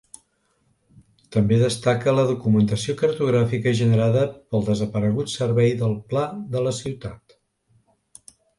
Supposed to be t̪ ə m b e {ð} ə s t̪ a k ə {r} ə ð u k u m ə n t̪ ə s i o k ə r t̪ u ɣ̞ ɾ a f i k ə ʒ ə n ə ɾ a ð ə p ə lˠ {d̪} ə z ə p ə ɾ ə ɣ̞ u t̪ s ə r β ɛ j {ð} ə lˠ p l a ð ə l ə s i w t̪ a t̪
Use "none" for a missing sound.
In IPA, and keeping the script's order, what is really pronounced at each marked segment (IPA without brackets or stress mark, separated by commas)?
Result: ð, l, d̪, ð